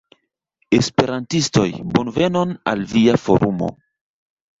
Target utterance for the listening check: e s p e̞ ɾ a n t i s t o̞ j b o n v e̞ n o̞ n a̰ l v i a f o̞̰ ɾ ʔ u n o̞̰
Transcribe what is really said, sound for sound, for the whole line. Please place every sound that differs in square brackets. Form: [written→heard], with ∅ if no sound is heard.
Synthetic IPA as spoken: e s p e̞ ɾ a n t i s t o̞ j b o n v e̞ n o̞ n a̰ l v i a f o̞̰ ɾ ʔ u [n→m] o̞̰